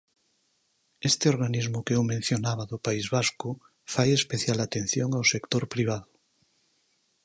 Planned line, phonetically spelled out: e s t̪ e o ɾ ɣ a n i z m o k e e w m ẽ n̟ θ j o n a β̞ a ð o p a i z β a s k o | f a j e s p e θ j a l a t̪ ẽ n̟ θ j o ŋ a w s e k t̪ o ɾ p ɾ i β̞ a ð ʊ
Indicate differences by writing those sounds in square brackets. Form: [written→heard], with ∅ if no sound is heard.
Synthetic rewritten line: e s t̪ e o ɾ ɣ a n i z m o k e e w m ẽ n̟ θ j o n a β̞ a ð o p a i z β a s k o | f a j e s p e θ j a l a t̪ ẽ n̟ θ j o ŋ a w s e k t̪ o ɾ p ɾ i β̞ a ð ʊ